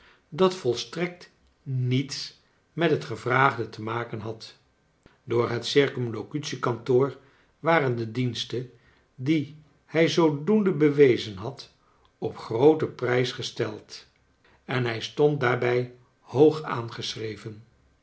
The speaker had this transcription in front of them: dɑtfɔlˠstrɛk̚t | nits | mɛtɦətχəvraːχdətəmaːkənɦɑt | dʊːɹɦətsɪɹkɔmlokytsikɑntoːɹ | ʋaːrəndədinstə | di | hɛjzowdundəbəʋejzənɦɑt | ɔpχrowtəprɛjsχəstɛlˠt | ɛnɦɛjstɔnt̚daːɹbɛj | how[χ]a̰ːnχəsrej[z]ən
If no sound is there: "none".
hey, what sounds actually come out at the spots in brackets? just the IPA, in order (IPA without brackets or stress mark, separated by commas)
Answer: χ, v